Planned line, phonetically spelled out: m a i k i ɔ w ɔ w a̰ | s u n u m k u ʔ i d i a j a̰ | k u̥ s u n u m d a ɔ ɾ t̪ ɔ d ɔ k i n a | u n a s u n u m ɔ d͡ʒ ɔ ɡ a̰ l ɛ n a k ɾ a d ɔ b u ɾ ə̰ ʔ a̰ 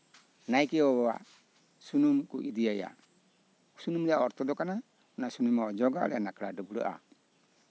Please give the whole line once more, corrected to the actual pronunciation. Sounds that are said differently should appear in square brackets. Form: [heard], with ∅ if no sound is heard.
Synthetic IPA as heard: [n] a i k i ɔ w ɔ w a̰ | s u n u m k u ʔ i d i a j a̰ | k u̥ s u n u m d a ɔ ɾ t̪ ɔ d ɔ k [a] n a | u n a s u n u m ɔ d͡ʒ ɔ ɡ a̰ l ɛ n a k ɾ a d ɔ b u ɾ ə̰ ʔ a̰